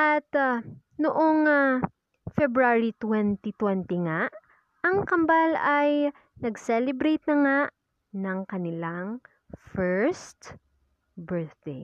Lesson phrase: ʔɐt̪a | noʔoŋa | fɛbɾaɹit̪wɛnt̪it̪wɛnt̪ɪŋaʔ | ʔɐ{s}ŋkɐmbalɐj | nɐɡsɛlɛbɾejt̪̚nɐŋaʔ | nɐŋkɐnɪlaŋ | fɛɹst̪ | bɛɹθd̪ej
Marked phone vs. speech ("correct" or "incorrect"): incorrect